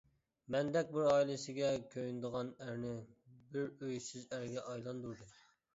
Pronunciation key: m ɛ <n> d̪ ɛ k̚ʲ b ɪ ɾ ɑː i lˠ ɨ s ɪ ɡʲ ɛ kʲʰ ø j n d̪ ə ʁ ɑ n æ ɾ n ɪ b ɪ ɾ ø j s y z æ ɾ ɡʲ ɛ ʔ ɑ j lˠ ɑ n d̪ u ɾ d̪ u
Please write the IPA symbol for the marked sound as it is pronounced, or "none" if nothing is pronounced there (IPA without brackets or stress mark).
n